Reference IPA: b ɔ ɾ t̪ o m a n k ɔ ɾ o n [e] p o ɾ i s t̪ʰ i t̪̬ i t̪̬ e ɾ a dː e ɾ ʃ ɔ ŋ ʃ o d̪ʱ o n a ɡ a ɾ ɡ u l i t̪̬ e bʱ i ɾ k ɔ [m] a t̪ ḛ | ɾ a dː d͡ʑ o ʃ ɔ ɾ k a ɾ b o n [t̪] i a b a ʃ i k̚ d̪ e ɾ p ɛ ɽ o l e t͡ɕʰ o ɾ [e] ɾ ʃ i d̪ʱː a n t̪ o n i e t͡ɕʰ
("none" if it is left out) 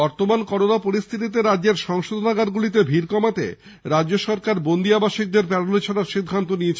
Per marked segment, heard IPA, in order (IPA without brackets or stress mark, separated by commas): a, m, d̪, a